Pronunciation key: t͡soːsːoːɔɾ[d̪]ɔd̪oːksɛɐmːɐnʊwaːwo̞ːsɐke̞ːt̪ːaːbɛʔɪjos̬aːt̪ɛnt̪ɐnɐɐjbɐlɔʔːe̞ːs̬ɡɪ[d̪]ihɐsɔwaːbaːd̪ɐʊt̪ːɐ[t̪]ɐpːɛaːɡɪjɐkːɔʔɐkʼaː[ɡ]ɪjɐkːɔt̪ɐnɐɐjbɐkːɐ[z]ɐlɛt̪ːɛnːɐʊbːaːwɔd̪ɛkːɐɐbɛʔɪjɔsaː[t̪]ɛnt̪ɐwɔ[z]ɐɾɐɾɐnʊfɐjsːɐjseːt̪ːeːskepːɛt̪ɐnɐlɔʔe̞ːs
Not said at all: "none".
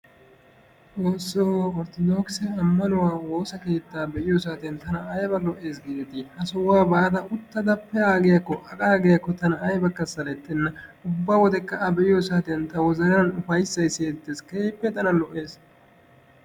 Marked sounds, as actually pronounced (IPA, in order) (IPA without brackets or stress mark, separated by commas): t̪, t̪, d̪, ɡ, s, t̪, z